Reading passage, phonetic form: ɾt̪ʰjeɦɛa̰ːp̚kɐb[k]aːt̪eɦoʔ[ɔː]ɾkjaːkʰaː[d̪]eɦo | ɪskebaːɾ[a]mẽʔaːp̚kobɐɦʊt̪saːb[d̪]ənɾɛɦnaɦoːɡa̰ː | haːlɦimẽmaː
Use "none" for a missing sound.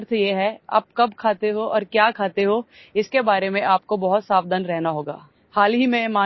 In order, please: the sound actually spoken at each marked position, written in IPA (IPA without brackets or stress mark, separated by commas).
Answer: kʰ, ɔː, t̪, e, d̪